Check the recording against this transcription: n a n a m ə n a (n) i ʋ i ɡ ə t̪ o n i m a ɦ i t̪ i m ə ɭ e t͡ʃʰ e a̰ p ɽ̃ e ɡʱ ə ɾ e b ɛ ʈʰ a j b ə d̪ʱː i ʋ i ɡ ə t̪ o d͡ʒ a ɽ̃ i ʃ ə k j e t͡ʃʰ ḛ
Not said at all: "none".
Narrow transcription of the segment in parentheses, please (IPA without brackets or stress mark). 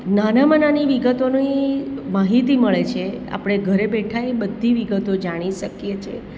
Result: n